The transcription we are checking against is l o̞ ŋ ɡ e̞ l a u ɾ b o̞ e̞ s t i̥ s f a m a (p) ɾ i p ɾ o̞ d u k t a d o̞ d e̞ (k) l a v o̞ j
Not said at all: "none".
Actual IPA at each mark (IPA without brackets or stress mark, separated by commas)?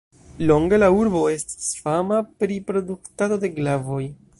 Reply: p, ɡ